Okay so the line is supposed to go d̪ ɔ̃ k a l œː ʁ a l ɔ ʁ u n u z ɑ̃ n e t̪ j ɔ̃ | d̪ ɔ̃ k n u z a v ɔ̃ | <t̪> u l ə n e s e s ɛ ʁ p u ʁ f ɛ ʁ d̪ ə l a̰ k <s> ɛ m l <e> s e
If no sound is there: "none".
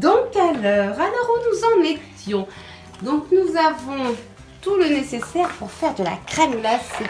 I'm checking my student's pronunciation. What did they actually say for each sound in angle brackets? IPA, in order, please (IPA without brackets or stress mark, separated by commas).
t̪, χ, a